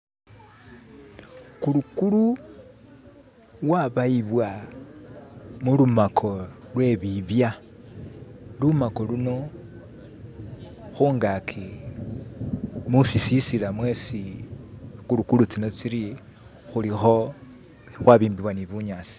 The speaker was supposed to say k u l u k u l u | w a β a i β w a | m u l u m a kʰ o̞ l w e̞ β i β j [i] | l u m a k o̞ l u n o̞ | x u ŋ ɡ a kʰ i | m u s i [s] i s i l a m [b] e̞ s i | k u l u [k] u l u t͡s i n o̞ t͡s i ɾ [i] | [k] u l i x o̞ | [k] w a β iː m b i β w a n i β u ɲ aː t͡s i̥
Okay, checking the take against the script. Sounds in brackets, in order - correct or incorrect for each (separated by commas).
incorrect, correct, incorrect, correct, correct, incorrect, incorrect